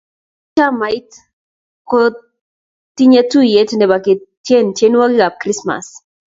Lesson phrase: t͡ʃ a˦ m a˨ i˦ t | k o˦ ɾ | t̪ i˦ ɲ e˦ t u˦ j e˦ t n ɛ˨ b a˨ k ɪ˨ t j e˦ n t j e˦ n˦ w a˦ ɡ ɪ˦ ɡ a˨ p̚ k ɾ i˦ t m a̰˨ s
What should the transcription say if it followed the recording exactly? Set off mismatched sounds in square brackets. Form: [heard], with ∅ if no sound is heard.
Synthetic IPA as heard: t͡ʃ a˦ m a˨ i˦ t | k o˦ [∅] | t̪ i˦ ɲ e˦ t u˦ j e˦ t n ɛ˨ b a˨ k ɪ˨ t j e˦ n t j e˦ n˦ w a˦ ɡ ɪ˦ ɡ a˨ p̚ k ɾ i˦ [s] m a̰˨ s